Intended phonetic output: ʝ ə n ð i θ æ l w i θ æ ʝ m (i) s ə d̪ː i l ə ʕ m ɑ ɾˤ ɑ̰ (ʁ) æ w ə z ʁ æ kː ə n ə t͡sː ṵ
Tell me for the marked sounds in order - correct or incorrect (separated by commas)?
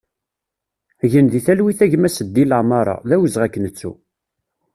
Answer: incorrect, incorrect